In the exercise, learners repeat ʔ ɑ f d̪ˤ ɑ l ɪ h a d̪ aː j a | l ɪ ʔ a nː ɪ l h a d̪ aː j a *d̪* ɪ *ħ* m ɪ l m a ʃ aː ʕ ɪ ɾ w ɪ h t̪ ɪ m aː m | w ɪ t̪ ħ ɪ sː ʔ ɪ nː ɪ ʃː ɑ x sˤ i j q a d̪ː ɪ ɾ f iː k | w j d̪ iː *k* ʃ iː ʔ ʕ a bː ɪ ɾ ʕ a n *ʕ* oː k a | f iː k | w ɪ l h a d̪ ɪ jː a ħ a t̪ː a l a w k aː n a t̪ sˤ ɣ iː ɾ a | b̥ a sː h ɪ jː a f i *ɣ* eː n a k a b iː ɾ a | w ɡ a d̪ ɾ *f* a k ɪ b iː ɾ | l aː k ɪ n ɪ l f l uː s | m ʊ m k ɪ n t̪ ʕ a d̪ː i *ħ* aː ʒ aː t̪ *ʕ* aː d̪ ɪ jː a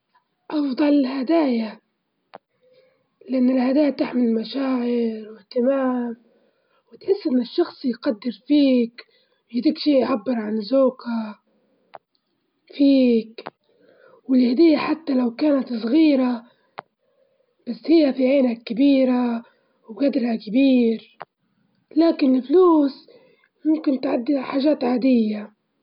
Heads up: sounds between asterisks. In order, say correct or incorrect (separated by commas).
incorrect, correct, correct, incorrect, incorrect, incorrect, correct, correct